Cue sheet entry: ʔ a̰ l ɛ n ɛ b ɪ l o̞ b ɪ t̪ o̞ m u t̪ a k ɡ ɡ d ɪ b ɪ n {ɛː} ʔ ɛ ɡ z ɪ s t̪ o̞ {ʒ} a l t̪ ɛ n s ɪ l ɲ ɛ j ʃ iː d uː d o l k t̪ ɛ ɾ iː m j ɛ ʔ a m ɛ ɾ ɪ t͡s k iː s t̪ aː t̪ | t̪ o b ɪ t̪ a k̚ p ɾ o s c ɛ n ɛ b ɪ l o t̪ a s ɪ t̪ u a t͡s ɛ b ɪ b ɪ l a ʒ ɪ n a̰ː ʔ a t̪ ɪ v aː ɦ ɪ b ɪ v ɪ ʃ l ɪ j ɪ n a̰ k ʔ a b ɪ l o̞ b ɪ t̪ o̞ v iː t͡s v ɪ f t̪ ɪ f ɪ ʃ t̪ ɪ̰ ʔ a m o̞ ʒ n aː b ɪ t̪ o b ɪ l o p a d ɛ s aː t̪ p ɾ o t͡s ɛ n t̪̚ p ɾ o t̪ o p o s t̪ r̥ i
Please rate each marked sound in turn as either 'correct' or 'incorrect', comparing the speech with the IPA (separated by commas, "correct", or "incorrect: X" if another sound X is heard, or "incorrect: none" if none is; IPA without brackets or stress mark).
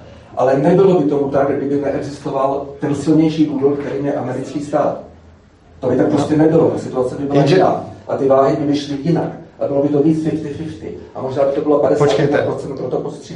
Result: incorrect: ɛ, incorrect: v